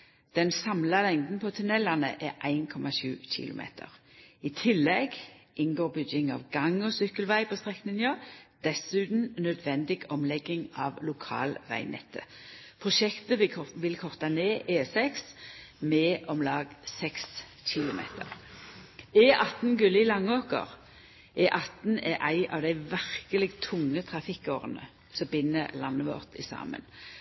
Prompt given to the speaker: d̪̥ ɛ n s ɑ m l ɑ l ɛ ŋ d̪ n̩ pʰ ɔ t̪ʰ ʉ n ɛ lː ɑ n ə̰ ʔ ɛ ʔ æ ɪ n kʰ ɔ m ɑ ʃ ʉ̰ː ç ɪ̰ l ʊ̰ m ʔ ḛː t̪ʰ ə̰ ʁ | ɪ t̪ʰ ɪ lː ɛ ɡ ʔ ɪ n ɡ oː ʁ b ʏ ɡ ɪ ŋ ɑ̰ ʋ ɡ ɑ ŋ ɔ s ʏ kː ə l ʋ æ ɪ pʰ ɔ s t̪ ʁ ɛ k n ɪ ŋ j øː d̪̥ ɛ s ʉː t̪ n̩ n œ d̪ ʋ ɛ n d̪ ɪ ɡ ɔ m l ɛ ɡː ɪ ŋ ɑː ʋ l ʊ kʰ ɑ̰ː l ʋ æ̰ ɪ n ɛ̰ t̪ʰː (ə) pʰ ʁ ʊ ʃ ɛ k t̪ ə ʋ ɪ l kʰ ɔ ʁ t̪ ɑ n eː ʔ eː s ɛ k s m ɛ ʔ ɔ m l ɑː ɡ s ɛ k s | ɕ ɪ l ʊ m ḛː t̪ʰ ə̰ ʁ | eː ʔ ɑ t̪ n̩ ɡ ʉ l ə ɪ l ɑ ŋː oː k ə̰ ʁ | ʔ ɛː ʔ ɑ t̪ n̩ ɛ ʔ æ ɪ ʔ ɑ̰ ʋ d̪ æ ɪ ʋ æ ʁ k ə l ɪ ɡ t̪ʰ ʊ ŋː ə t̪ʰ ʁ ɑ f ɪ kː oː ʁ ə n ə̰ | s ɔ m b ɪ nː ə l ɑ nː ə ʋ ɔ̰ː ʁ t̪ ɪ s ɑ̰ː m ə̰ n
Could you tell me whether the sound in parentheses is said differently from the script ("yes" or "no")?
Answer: no